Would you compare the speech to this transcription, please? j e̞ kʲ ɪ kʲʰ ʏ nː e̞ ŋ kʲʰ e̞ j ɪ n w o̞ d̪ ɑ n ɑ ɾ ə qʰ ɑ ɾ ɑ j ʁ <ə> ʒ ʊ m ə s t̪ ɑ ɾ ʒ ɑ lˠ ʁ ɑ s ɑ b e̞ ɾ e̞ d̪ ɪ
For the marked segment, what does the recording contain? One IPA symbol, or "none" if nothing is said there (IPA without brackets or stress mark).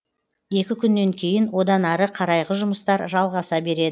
ə